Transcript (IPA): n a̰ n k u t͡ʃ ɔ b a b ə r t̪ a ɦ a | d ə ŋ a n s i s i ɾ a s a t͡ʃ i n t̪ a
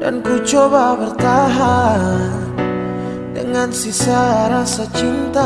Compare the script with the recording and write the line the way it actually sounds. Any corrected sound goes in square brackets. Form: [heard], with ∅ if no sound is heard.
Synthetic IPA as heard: [d] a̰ n k u t͡ʃ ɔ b a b ə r t̪ a ɦ a | d ə ŋ a n s i s [a] ɾ a s a t͡ʃ i n t̪ a